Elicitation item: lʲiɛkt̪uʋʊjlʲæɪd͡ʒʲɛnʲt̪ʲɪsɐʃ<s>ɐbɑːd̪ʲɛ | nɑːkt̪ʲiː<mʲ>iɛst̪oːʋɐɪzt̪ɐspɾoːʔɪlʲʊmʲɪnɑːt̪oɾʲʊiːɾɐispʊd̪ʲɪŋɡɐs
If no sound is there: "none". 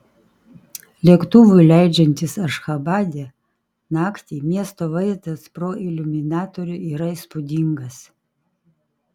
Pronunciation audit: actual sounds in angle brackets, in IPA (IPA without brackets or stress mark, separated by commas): x, mʲ